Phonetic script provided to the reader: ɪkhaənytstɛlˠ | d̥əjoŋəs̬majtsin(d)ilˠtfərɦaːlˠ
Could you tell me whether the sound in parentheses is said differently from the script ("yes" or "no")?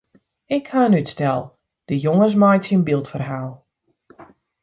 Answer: yes